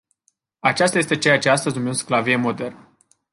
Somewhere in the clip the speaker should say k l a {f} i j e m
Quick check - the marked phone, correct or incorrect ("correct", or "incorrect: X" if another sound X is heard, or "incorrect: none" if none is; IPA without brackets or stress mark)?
incorrect: v